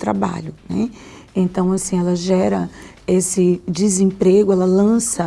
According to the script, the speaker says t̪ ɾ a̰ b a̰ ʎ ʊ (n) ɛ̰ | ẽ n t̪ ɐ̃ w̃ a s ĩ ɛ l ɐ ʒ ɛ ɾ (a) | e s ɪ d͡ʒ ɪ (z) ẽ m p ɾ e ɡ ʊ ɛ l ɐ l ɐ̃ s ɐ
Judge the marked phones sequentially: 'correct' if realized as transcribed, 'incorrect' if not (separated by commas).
correct, incorrect, correct